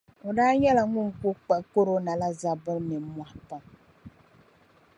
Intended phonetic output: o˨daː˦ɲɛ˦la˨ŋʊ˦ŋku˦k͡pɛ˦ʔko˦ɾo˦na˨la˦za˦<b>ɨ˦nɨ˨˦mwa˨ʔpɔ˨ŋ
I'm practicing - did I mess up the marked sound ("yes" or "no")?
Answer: no